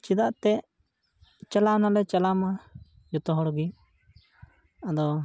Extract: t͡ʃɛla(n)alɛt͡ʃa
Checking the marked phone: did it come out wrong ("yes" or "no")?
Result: no